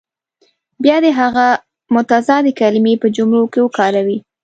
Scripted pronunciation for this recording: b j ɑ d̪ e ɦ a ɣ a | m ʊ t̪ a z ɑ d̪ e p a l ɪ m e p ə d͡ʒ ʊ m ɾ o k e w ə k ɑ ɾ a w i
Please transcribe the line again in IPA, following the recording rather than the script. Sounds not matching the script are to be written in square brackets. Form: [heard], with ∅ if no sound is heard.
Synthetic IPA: b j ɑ d̪ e ɦ a ɣ a | m ʊ t̪ a z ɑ d̪ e [k] a l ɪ m e p ə d͡ʒ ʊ m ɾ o k e w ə k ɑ ɾ a w i